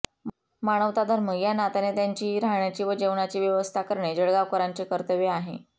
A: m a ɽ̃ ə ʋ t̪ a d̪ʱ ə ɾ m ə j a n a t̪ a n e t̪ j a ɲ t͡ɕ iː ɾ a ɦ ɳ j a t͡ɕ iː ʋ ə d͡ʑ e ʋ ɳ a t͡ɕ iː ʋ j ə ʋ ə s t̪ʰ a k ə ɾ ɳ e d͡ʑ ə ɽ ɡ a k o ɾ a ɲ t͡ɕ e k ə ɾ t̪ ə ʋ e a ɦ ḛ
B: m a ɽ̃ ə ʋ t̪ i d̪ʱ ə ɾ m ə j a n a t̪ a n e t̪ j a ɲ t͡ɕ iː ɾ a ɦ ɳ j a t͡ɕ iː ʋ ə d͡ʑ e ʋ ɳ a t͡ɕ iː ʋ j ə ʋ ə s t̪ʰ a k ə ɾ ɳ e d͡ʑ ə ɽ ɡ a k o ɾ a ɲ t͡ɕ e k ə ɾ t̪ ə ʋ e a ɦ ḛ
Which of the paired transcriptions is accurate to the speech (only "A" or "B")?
A